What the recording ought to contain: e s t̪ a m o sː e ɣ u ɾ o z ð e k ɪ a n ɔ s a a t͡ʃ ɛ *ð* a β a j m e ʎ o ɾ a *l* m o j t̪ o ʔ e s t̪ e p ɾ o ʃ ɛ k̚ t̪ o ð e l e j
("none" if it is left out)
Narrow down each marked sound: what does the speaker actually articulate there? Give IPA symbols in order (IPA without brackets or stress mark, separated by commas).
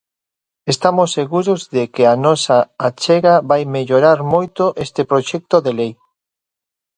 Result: ɣ, ɾ